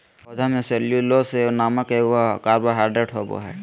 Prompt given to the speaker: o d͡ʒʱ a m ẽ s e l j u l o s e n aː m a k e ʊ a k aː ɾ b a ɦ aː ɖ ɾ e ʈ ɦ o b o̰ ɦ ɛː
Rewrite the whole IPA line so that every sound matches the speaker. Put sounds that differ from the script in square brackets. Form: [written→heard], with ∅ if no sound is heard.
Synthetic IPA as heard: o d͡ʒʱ a m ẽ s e l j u l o s e n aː m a k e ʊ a k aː ɾ b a ɦ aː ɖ ɾ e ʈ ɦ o b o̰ ɦ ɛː